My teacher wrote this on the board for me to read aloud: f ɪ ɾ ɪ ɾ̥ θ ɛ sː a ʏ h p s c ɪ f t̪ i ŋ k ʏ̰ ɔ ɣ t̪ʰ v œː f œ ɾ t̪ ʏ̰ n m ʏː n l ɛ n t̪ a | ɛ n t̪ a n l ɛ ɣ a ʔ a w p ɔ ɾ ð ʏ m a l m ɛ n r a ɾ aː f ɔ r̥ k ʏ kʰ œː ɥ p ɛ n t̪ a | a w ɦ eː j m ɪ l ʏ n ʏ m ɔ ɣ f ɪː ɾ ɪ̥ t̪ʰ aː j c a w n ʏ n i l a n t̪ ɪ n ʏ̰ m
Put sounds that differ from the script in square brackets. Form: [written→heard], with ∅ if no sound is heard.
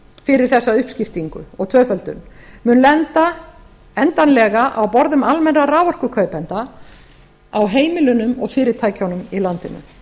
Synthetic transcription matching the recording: f ɪ ɾ ɪ ɾ̥ θ ɛ sː a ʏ h p s c ɪ f t̪ i ŋ k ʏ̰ ɔ ɣ t̪ʰ v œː f œ [ɾ→l] t̪ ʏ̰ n m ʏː n l ɛ n t̪ a | ɛ n t̪ a n l ɛ ɣ a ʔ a w p ɔ ɾ ð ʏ m a l m ɛ n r a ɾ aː [f→v] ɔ r̥ k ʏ kʰ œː ɥ p ɛ n t̪ a | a w ɦ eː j m ɪ l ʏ n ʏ m ɔ ɣ f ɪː ɾ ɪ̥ t̪ʰ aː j c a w n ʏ [n→m] i l a n t̪ ɪ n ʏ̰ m